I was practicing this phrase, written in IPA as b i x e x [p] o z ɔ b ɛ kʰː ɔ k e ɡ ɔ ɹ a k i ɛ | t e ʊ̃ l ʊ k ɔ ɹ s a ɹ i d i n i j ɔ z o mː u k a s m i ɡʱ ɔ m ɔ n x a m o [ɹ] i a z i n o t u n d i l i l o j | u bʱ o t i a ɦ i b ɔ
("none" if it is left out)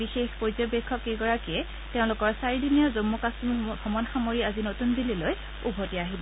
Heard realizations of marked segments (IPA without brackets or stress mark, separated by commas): p, ɹ